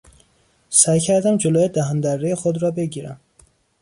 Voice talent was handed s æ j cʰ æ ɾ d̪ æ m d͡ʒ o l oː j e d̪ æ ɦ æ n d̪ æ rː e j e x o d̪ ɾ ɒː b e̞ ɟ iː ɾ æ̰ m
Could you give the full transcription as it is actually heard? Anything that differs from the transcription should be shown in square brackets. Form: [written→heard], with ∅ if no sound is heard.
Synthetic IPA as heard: s æ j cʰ æ ɾ d̪ æ m d͡ʒ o l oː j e d̪ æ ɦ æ n d̪ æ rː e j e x o d̪ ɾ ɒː b e̞ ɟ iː ɾ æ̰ m